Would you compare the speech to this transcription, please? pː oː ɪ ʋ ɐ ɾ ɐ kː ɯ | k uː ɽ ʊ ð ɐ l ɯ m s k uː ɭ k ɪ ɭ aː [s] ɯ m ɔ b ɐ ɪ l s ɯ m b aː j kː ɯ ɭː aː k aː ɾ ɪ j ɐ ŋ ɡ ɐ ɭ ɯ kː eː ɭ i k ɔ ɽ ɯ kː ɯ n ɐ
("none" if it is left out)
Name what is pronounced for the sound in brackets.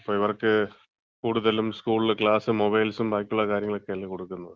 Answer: s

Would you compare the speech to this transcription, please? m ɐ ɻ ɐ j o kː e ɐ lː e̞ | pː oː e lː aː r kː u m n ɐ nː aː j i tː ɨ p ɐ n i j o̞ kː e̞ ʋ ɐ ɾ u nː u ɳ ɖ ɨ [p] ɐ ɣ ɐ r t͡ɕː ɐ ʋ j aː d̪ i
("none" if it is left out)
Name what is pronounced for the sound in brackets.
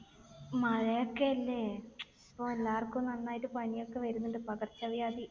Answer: p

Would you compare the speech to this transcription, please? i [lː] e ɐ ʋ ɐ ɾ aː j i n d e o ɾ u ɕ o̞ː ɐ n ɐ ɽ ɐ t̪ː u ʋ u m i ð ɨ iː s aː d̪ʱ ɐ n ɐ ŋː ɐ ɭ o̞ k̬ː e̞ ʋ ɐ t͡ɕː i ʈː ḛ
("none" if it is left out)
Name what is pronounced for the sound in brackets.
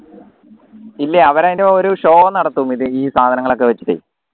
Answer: lː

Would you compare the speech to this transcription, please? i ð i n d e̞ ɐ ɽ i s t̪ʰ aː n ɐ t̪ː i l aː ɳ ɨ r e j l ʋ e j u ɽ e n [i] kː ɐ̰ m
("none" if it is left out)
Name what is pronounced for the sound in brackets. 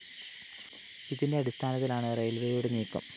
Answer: iː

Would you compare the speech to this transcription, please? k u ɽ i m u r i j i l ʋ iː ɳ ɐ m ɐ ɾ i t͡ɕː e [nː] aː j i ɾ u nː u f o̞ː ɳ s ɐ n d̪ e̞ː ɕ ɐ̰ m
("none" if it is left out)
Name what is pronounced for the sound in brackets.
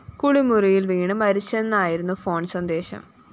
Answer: nː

